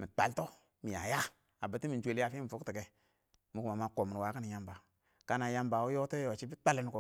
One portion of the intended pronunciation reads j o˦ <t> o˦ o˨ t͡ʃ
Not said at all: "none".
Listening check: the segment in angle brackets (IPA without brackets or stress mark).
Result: t